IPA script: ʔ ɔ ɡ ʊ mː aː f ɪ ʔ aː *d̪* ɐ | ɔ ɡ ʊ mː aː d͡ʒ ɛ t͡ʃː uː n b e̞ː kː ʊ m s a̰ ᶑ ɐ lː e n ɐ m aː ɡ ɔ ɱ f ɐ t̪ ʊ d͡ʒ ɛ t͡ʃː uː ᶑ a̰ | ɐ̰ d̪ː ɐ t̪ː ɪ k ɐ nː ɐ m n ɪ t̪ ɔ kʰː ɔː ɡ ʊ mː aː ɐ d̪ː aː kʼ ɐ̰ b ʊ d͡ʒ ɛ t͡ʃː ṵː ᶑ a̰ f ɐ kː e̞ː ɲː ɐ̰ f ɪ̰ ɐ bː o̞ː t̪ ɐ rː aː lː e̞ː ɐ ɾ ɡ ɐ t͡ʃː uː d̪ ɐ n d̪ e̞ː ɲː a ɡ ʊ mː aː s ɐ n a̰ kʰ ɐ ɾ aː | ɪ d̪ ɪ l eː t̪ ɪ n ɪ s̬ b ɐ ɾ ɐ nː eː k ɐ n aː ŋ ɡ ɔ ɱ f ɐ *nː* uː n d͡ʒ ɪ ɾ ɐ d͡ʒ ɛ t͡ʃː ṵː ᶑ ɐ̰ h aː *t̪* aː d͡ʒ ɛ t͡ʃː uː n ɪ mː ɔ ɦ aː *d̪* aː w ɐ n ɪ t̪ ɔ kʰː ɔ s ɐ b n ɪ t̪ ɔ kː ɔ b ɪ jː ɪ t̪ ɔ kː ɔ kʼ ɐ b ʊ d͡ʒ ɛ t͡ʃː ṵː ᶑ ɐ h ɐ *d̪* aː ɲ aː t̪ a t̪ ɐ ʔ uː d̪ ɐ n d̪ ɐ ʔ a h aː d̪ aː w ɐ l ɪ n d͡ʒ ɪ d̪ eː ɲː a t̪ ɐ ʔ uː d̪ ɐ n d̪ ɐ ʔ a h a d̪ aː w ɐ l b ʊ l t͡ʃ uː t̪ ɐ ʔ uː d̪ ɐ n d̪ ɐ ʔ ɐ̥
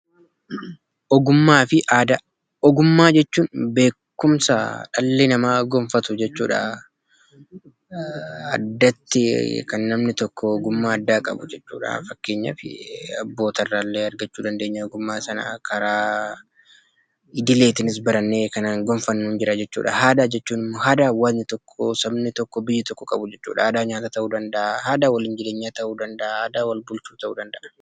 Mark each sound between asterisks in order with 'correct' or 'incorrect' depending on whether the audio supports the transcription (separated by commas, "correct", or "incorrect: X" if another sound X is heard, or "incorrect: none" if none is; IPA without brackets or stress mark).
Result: correct, correct, incorrect: d̪, correct, correct